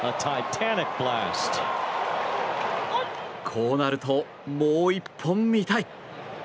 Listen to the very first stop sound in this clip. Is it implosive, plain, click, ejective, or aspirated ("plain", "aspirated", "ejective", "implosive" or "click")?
aspirated